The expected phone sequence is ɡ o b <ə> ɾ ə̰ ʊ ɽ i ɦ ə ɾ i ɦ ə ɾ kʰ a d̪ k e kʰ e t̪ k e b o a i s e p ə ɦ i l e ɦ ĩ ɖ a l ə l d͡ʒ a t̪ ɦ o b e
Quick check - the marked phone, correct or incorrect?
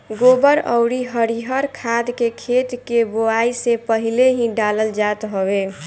correct